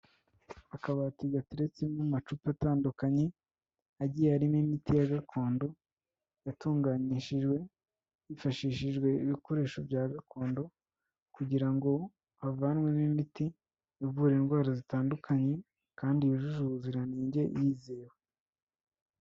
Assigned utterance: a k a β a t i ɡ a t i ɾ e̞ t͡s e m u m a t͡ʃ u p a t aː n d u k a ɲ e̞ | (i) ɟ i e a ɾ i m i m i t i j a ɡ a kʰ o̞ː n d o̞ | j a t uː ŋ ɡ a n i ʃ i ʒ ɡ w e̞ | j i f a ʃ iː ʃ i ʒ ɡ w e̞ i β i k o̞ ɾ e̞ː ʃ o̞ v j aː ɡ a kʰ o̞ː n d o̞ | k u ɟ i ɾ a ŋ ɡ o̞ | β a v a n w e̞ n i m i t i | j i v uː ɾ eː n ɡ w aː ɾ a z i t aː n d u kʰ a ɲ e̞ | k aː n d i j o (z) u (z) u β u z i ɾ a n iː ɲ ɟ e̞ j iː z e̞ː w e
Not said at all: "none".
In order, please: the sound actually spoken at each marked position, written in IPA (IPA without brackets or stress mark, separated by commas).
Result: a, ʒ, ʒ